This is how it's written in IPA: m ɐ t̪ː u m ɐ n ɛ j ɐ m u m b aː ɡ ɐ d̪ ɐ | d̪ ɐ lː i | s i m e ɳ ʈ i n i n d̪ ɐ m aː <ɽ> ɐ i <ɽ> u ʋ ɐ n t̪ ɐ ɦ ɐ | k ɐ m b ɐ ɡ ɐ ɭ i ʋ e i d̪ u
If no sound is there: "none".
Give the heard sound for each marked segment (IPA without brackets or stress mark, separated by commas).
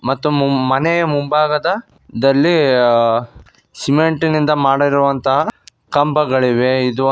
ɽ, ɾ